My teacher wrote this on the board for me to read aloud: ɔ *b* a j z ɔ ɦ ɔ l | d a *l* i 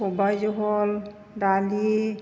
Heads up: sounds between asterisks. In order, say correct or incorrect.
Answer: correct, correct

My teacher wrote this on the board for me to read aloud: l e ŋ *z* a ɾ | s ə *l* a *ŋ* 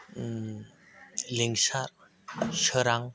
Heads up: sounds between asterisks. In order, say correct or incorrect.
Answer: incorrect, incorrect, correct

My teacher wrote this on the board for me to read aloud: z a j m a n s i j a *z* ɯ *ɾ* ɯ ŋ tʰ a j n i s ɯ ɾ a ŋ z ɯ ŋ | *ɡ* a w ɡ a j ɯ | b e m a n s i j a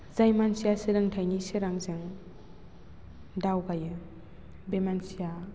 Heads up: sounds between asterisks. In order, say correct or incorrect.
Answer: incorrect, correct, incorrect

